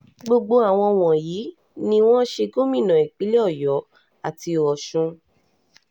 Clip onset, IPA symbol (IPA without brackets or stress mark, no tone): ɡ͡b